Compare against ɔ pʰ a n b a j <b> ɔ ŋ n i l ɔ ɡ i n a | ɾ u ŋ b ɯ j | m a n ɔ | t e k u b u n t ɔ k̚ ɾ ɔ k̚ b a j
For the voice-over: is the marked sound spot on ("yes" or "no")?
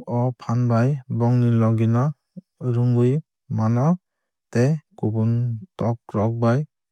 yes